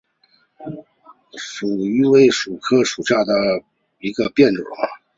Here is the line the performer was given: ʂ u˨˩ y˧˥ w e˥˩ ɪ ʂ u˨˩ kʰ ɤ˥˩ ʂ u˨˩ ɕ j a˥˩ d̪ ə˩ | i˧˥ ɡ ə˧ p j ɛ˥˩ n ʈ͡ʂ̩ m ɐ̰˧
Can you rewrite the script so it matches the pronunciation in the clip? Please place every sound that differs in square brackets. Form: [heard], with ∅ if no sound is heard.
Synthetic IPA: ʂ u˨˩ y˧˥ w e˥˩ ɪ ʂ u˨˩ kʰ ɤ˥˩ ʂ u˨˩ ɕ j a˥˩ d̪ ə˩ | i˧˥ ɡ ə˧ p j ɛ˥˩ n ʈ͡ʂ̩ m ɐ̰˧